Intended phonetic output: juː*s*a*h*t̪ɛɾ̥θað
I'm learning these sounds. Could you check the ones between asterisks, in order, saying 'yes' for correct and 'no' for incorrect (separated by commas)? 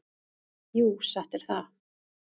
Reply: yes, yes